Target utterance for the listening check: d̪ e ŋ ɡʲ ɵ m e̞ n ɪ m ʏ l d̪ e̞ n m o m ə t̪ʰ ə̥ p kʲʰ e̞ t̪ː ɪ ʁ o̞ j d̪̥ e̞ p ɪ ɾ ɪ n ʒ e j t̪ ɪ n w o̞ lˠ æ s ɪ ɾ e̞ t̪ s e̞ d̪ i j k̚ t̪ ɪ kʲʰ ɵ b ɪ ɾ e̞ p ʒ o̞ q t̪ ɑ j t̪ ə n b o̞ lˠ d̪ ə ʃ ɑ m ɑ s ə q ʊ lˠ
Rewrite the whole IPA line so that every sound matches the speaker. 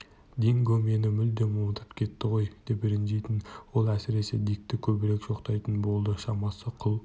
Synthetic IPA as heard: d̪ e ŋ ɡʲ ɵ m e̞ n ɪ m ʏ l d̪ e̞ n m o m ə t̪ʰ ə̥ p kʲʰ e̞ t̪ː ɪ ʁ o̞ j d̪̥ e̞ p ɪ ɾ ɪ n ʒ e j t̪ ɪ n w o̞ lˠ æ s ɪ ɾ e̞ s e̞ d̪ i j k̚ t̪ ɪ kʲʰ ɵ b ɪ ɾ e̞ k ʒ o̞ q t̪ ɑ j t̪ ə n b o̞ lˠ d̪ ə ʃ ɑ m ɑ s ə qʰ ʊ lˠ